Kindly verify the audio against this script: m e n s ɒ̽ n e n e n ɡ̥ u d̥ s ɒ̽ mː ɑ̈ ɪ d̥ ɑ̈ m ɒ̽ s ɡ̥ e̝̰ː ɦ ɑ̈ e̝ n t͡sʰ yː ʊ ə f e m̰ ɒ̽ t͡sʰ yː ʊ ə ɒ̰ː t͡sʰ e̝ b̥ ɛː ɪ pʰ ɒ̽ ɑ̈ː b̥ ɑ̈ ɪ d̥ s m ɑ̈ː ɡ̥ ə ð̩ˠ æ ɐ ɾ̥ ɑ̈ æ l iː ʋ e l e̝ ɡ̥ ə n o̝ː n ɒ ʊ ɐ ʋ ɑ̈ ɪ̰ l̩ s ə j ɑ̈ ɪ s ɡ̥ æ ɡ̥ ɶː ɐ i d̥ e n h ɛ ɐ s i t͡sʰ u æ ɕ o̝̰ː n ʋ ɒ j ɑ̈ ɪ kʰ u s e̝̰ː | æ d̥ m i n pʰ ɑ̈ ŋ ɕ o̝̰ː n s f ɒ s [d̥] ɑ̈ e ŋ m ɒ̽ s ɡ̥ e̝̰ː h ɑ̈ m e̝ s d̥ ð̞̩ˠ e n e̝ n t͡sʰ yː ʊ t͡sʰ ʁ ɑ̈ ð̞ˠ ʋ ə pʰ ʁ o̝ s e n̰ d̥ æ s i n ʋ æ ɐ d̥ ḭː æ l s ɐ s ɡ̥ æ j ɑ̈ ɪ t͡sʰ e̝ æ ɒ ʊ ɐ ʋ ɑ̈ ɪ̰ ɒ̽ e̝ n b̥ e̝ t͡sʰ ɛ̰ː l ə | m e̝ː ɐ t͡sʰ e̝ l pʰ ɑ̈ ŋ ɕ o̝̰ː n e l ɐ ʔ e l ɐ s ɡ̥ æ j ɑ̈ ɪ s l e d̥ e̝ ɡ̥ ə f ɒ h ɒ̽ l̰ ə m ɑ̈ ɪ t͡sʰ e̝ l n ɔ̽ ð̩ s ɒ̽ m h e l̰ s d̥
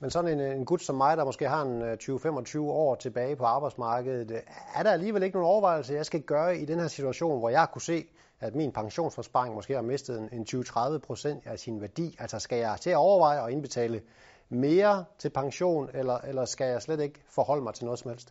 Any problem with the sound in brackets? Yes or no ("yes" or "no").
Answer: yes